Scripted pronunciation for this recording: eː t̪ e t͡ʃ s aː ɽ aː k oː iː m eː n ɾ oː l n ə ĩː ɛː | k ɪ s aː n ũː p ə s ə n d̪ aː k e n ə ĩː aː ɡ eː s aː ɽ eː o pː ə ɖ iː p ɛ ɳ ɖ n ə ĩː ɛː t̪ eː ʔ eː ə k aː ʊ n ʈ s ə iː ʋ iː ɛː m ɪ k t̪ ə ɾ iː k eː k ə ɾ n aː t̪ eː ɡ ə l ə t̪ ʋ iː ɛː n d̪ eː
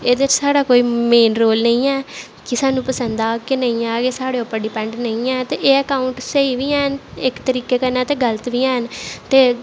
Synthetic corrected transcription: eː d̪ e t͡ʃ s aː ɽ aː k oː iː m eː n ɾ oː l n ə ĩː ɛː | k ɪ s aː n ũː p ə s ə n d̪ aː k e n ə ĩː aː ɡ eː s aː ɽ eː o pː ə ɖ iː p ɛ ɳ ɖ n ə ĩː ɛː t̪ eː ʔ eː ə k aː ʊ ɳ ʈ s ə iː ʋ iː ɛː n ɪ k t̪ ə ɾ iː k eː k ə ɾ n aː t̪ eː ɡ ə l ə t̪ ʋ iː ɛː n t̪ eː